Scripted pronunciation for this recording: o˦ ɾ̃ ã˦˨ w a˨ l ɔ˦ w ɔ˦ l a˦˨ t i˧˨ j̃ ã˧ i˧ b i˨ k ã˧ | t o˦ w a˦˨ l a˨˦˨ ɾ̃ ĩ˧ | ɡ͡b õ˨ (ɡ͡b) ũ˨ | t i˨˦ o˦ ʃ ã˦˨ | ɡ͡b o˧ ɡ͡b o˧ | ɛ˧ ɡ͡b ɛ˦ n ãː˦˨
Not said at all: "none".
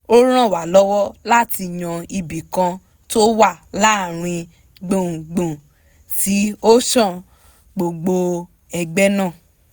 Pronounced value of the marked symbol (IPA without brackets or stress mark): ɡ͡b